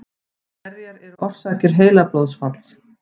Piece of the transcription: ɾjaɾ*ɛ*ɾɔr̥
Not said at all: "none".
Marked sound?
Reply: ɛ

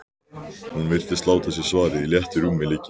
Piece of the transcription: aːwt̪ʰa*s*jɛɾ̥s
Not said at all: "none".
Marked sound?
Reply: s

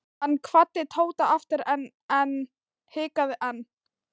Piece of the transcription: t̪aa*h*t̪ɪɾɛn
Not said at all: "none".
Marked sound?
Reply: f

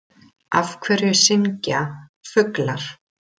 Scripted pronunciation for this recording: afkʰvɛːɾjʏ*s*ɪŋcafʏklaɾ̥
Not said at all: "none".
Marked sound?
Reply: s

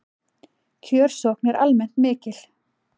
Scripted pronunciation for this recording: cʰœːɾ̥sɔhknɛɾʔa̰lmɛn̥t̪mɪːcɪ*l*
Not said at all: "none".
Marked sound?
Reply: l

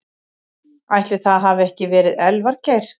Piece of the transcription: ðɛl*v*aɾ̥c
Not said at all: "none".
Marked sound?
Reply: v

